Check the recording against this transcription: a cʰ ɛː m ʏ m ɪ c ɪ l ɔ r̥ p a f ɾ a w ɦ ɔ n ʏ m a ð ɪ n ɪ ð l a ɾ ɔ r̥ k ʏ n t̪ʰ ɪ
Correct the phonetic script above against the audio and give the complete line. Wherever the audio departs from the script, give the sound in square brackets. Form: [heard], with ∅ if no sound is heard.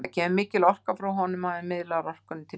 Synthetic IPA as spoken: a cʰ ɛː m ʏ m [ɪː] c ɪ l ɔ r̥ [k] a f ɾ a w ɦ ɔ n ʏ m a ð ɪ [m] ɪ ð l a ɾ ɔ r̥ k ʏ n t̪ʰ ɪ